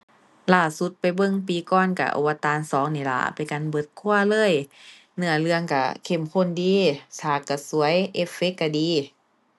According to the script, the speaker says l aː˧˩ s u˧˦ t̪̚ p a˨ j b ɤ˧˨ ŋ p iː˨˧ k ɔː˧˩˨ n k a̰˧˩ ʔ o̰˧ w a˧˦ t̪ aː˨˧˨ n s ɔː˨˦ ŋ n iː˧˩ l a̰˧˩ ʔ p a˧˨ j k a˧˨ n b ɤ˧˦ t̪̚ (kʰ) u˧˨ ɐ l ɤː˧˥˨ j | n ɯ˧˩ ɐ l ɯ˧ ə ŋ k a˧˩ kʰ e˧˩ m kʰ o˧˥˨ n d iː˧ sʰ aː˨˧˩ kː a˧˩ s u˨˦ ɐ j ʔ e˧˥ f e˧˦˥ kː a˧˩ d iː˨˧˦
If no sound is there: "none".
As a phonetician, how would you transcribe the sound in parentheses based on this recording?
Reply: kʰ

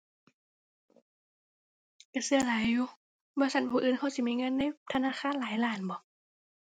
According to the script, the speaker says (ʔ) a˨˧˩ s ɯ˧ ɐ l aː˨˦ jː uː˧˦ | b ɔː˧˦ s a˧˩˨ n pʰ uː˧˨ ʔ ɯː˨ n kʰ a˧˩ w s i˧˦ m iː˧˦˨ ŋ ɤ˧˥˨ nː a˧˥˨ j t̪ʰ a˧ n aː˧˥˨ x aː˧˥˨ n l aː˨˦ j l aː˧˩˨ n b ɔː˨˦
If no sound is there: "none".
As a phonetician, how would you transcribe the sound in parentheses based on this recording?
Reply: k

